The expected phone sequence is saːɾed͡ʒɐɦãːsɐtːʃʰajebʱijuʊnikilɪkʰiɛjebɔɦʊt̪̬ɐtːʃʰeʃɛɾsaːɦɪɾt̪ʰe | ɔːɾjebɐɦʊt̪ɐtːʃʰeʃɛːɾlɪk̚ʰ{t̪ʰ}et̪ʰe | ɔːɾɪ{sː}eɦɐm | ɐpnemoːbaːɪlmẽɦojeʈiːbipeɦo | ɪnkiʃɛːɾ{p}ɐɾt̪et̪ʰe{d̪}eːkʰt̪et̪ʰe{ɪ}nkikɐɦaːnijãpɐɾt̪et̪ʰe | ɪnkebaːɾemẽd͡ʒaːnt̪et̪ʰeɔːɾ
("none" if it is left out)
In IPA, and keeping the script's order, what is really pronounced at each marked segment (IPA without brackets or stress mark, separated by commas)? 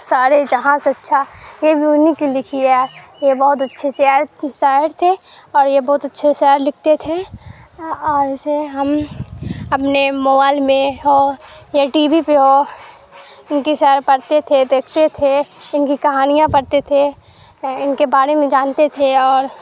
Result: t̪, s, p, d̪, ɪ